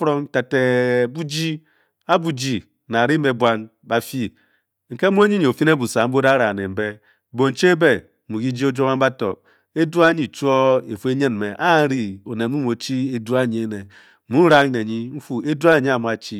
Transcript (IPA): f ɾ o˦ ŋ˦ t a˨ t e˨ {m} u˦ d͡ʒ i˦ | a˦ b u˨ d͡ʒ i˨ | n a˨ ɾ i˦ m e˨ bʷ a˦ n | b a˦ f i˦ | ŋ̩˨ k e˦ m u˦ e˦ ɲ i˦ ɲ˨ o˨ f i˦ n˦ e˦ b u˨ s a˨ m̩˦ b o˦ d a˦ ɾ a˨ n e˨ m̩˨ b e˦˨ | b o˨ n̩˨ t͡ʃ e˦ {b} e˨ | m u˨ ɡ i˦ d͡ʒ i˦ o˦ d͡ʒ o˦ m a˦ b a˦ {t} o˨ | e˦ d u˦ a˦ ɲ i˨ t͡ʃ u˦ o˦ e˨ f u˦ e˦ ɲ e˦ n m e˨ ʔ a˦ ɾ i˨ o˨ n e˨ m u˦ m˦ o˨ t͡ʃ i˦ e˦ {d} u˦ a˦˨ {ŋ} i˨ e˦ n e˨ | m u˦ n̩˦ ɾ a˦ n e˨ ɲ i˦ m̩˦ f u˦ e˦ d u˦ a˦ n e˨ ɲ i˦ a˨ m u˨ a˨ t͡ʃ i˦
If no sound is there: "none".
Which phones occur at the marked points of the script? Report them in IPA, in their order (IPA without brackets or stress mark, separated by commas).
b, b, t, d, ɲ